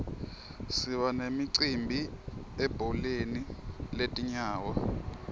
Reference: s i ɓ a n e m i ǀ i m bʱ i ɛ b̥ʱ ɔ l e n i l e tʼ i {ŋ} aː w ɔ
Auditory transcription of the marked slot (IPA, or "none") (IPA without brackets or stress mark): ɲ